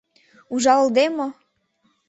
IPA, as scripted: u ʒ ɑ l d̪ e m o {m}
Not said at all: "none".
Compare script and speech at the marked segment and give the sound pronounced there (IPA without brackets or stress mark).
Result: none